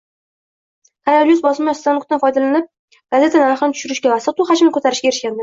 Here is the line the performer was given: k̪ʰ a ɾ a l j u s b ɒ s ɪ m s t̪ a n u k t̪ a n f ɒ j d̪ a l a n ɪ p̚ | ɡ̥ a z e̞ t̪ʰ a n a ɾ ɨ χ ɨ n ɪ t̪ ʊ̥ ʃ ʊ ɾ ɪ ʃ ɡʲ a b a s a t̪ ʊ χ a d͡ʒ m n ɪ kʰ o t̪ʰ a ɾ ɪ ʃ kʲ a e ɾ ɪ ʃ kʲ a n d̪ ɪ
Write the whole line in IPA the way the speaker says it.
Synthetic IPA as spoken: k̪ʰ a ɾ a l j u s b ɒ s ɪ m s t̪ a n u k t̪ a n f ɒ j d̪ a l a n ɪ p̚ | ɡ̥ a z e̞ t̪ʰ a n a ɾ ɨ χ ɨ n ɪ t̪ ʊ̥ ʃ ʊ ɾ ɪ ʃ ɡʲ a v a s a t̪ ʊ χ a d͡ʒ m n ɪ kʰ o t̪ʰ a ɾ ɪ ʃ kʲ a e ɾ ɪ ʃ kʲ a n d̪ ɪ